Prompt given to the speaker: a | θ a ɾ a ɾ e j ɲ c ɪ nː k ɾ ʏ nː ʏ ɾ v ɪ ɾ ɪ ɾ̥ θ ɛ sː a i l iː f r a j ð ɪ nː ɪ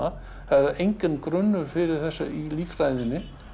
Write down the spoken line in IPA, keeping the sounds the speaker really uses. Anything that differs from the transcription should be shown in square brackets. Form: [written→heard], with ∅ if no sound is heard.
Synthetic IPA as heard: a | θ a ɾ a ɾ e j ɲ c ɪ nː k ɾ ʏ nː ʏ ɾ [v→f] ɪ ɾ ɪ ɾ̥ θ ɛ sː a i l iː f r a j ð ɪ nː ɪ